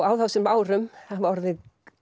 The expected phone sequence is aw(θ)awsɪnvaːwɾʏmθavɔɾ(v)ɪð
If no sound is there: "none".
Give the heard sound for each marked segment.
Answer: ð, ð

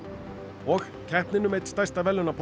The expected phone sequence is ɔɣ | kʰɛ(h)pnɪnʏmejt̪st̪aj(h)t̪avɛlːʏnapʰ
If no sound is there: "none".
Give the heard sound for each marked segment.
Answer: h, s

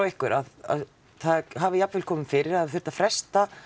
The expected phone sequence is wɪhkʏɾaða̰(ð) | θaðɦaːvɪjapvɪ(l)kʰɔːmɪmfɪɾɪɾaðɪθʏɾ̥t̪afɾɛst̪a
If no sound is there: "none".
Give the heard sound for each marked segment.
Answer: ð, l

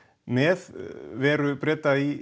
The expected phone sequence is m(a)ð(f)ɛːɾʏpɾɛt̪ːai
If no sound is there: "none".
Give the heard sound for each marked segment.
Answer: ɛ, v

